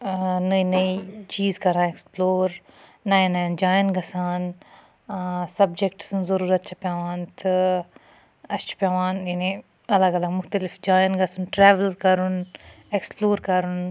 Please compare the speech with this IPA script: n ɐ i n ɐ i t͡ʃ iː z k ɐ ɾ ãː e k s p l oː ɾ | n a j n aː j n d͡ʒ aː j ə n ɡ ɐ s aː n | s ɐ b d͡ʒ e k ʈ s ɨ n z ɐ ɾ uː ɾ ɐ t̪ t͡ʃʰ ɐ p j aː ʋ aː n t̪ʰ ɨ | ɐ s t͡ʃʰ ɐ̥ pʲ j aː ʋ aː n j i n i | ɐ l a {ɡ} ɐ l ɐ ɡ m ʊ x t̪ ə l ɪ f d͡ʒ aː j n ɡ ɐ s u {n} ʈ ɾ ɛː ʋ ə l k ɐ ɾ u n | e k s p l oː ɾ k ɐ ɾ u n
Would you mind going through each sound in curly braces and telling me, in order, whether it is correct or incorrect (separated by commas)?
correct, correct